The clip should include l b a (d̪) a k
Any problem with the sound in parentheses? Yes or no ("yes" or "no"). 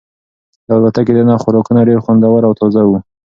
yes